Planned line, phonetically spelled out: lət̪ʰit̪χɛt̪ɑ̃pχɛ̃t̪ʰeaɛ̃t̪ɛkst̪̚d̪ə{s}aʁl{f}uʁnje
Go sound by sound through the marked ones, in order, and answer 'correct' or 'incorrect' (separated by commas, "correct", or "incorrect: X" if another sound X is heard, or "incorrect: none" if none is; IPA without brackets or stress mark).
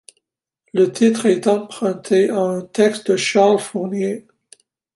incorrect: ʃ, correct